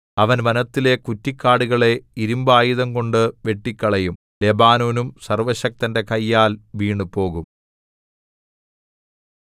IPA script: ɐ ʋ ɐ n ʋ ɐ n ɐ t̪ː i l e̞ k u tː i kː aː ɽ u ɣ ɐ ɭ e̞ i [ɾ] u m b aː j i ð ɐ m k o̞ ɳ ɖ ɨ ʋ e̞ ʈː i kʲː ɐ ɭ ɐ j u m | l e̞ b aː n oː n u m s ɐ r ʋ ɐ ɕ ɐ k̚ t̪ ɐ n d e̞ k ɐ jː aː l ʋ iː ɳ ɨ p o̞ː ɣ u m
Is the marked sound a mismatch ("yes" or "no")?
no